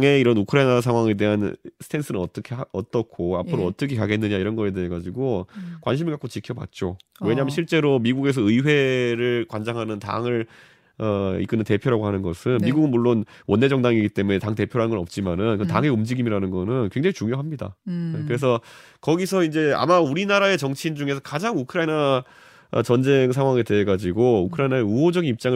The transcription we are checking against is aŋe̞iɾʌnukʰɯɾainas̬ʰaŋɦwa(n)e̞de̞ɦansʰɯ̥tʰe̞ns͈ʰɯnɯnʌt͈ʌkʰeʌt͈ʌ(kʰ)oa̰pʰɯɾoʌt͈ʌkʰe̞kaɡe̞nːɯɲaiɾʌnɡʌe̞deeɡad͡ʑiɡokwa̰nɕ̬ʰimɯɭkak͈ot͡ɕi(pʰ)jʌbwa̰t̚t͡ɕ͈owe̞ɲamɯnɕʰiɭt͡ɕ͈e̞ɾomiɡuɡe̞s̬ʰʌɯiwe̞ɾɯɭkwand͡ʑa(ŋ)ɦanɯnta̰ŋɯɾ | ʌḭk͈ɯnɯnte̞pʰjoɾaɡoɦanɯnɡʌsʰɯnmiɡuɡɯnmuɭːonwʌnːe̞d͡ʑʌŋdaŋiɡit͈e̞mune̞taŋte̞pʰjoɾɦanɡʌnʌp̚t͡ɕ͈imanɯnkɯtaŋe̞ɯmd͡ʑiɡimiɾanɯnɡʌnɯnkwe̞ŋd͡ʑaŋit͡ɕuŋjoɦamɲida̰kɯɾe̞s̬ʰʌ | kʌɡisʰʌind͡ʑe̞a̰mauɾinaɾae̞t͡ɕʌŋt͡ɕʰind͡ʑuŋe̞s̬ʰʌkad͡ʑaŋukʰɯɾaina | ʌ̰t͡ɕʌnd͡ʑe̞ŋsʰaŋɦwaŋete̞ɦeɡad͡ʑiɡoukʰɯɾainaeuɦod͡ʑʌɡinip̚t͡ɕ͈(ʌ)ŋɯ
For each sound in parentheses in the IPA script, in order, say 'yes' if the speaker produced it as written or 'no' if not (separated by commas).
no, yes, no, yes, no